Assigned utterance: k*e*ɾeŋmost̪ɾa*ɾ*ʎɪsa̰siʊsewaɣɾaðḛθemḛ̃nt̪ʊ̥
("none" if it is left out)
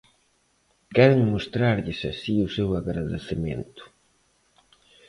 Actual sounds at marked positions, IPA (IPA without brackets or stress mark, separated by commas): ɛ, ɾ